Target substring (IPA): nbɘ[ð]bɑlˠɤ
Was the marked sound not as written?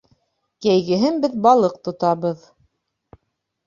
no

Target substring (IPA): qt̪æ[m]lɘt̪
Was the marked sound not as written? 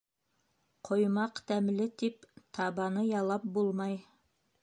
no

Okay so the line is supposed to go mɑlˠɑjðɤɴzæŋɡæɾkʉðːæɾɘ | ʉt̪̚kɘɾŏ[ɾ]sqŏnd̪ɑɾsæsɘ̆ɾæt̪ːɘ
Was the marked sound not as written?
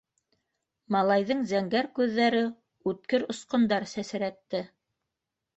yes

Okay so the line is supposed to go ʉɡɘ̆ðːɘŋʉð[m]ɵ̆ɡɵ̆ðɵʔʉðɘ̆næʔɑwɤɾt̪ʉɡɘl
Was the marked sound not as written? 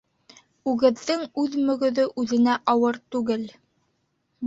no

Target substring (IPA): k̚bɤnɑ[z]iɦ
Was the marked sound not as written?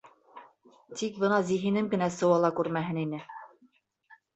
no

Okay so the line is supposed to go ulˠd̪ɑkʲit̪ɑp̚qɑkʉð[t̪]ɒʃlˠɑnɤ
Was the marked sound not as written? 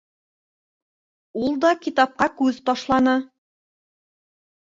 no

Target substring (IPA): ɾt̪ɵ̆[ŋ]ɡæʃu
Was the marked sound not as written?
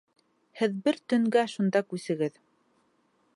no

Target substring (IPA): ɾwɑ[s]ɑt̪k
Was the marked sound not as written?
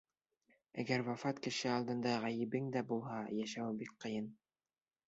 yes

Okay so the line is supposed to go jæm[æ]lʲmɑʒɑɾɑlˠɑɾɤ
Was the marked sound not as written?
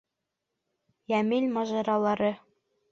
yes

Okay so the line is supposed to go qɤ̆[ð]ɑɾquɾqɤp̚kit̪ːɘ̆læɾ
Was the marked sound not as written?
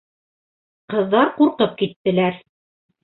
yes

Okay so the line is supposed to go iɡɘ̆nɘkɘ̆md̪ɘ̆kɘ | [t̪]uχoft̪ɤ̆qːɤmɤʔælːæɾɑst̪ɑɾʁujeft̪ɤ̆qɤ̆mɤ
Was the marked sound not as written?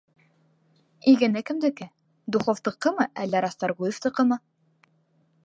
yes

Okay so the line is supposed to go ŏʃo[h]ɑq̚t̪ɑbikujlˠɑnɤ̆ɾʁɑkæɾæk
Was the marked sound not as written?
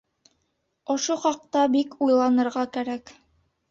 yes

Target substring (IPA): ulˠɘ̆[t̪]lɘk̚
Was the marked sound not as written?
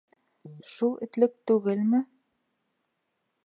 no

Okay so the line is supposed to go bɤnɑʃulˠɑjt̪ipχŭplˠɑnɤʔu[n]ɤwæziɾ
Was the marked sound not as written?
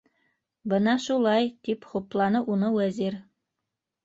no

